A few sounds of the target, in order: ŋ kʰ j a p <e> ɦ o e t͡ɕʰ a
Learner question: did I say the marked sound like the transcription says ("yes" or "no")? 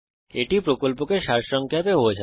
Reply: yes